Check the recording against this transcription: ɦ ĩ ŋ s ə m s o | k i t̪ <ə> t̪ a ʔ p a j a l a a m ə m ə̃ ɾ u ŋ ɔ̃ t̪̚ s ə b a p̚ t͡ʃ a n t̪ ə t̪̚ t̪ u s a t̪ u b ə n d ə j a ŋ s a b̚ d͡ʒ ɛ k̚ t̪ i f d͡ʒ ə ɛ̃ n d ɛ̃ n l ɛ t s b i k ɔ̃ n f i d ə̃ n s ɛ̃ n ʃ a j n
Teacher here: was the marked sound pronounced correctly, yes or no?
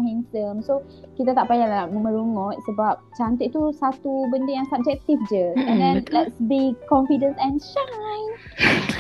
no